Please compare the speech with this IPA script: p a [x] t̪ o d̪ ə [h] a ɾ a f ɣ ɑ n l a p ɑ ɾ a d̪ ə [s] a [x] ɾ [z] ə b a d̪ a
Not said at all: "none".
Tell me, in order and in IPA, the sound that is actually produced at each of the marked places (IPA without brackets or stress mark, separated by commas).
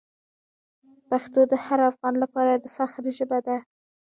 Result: x, h, f, x, ʒ